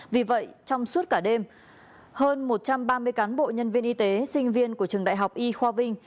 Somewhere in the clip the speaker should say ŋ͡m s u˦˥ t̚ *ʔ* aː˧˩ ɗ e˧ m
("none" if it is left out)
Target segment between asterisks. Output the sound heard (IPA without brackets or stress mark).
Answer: k